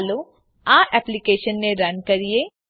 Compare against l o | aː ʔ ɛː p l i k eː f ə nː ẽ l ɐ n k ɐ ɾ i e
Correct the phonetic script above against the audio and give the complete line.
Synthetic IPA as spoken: l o | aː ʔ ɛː p l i k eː ʃ ə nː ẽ ɾ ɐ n k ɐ ɾ i e